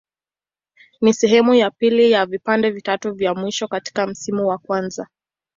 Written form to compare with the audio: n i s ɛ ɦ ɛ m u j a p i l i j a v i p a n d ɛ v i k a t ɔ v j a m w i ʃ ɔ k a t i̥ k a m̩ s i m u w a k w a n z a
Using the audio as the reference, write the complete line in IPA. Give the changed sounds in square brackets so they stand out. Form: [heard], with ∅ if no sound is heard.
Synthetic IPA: n i s ɛ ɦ ɛ m u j a p i l i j a v i p a n d ɛ v i [t] a t [u] v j a m w i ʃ ɔ k a t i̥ k a m̩ s i m u w a k w a n z a